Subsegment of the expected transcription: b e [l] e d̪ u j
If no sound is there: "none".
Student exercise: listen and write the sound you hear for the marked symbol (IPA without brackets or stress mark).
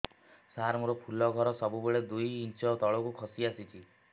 ɭ